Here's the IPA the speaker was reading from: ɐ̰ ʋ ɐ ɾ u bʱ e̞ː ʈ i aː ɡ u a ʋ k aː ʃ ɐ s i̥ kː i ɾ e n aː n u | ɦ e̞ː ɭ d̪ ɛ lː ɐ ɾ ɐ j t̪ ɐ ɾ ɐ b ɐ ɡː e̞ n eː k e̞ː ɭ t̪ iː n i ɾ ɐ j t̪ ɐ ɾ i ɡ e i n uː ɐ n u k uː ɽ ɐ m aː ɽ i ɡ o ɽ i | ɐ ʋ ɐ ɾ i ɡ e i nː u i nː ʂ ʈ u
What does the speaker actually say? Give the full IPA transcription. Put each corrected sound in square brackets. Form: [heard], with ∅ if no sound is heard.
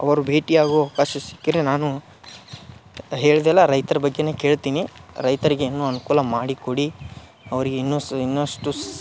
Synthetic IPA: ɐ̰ ʋ ɐ ɾ u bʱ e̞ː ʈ i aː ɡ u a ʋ k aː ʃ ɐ s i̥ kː i ɾ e n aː n u | ɦ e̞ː ɭ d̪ ɛ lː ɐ ɾ ɐ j t̪ ɐ ɾ ɐ b ɐ ɡː e̞ n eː k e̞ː ɭ t̪ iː n i ɾ ɐ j t̪ ɐ ɾ i ɡ e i [nː] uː ɐ n u k uː [l] ɐ m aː ɽ i [k] o ɽ i | ɐ ʋ ɐ ɾ i ɡ e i nː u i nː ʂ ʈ u